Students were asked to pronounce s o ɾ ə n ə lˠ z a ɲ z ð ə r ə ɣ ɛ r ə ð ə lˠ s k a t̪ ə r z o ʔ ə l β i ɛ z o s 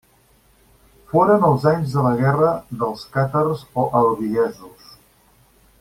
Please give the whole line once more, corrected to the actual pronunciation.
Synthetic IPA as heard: f o ɾ ə n ə lˠ z a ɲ z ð ə l ə ɣ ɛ r ə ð ə lˠ s k a t̪ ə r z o ʔ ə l β i ɛ z u s